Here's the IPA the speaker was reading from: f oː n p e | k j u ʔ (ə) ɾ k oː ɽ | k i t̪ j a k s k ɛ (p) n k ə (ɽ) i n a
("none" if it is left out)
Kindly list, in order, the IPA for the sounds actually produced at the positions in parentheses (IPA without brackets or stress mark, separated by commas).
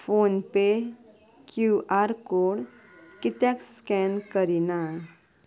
a, none, ɾ